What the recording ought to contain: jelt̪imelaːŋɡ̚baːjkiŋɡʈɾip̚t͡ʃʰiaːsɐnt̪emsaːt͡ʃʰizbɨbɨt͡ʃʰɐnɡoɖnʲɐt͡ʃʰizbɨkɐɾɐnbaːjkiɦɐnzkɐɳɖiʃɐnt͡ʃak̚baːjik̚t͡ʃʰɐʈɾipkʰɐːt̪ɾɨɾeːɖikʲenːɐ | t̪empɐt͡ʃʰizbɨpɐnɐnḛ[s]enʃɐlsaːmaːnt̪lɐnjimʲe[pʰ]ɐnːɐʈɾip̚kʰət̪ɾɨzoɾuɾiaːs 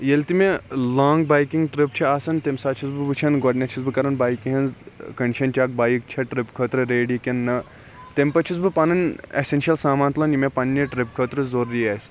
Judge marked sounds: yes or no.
yes, no

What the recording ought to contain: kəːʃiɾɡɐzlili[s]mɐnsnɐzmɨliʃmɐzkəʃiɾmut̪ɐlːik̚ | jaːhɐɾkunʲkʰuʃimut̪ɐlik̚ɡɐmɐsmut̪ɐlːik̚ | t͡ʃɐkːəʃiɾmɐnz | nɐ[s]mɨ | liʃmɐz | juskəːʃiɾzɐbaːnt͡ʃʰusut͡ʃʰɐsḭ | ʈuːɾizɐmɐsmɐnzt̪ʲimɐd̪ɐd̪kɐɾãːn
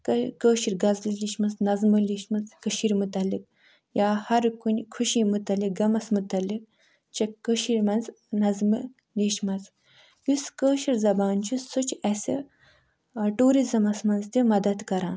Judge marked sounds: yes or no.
no, no

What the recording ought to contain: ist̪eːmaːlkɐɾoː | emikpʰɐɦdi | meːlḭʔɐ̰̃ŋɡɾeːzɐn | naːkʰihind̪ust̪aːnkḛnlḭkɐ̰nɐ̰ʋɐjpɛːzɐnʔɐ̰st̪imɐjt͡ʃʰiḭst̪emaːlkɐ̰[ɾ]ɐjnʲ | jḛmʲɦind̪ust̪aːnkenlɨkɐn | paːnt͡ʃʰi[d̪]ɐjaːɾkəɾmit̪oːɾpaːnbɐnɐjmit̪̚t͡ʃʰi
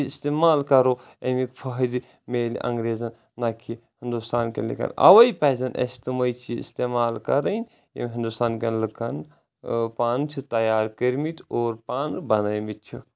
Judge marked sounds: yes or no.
yes, no

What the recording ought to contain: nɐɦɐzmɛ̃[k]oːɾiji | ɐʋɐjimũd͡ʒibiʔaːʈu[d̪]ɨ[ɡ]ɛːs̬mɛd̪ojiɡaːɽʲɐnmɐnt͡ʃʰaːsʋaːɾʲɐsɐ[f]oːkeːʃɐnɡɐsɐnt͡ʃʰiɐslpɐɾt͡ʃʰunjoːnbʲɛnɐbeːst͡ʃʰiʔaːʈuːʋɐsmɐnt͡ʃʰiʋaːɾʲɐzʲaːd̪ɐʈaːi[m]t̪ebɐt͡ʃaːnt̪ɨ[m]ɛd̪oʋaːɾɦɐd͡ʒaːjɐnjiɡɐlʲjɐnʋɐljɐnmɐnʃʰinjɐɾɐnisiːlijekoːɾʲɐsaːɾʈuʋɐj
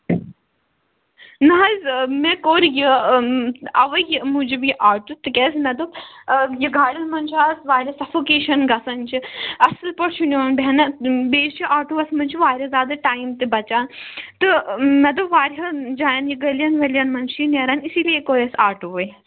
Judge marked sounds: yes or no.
yes, no, no, yes, yes, yes

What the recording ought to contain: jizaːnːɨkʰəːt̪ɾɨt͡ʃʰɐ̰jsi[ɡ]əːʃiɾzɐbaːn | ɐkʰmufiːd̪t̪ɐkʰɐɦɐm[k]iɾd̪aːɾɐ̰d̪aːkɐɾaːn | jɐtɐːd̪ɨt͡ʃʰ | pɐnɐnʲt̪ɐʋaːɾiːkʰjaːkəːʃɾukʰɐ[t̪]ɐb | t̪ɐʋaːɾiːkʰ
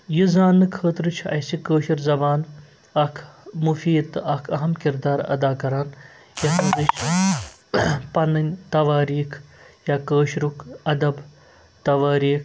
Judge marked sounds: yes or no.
no, yes, no

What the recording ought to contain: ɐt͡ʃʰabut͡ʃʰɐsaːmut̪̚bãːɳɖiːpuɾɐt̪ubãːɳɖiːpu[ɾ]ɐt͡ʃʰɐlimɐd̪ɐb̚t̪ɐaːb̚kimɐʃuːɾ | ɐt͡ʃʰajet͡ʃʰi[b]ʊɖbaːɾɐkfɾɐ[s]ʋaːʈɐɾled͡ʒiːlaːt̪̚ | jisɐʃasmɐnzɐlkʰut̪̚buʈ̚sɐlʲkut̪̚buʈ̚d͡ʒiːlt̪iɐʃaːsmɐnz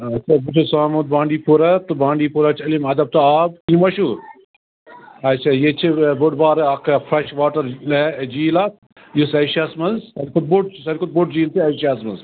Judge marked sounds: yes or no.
yes, yes, no

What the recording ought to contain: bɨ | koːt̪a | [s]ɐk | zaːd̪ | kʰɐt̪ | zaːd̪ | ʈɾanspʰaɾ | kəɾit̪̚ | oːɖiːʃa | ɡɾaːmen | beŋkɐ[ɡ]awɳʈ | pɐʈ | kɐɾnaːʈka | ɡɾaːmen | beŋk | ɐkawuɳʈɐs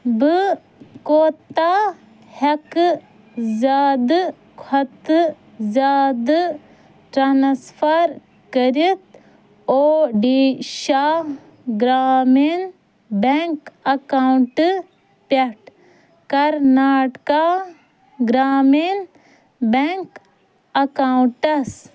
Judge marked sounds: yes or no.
no, no

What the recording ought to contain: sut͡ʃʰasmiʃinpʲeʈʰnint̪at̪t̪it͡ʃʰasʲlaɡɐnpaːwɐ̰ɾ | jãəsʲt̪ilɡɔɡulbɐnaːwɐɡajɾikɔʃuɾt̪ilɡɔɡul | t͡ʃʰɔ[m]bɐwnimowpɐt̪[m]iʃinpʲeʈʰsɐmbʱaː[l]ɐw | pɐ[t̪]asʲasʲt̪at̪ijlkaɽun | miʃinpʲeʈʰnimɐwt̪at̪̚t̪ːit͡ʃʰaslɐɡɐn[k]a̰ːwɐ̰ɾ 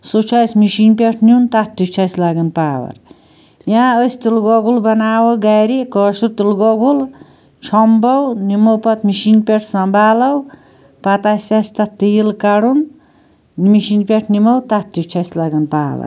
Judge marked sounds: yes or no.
yes, yes, yes, yes, no

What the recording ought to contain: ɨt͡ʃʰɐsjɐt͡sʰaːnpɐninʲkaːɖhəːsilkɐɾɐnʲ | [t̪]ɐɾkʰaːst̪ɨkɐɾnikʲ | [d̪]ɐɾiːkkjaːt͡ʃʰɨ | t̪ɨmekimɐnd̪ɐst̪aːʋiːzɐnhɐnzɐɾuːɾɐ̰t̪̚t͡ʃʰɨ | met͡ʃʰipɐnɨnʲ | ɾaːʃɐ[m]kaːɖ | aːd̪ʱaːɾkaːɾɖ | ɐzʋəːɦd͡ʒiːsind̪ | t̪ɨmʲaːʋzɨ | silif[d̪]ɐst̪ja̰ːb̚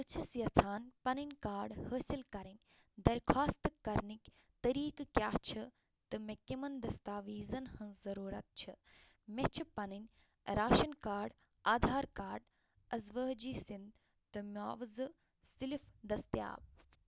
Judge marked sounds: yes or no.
no, no, no, yes

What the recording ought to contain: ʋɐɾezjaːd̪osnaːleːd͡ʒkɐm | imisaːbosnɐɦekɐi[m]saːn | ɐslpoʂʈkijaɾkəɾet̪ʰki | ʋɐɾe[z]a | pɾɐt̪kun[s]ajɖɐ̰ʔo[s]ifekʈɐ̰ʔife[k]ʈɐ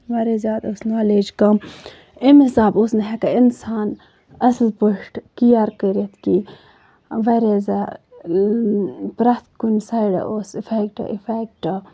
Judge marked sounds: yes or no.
no, yes, yes, yes, yes

